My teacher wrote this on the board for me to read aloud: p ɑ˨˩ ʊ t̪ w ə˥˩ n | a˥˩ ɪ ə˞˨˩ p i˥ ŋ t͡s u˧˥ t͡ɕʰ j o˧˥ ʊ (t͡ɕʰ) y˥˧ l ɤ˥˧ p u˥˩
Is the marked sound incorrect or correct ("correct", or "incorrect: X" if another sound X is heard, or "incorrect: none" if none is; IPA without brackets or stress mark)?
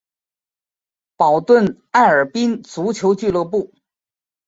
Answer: incorrect: t͡ɕ